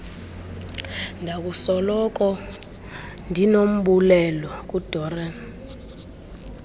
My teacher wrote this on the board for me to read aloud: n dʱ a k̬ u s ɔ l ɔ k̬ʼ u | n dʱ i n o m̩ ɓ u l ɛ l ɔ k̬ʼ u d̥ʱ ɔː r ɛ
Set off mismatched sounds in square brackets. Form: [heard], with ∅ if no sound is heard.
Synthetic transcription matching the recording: n dʱ a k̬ u s ɔ l ɔ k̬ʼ [ɔ] | n dʱ i n o m̩ ɓ u l ɛ l ɔ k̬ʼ u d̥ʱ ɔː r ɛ